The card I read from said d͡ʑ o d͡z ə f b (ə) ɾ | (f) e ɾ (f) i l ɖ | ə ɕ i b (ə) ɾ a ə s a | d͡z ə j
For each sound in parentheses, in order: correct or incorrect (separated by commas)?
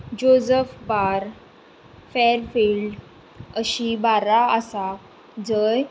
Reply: incorrect, correct, correct, incorrect